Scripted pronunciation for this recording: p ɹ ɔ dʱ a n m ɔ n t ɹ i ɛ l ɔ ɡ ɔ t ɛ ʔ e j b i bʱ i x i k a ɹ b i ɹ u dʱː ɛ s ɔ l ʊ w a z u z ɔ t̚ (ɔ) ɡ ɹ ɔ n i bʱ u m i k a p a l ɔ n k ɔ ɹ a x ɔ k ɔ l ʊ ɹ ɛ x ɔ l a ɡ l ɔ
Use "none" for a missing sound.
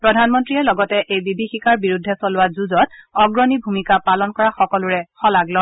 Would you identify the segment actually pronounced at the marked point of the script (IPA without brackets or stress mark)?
ɔ